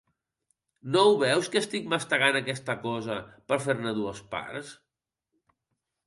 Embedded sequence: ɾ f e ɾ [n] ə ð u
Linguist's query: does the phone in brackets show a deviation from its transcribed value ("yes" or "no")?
no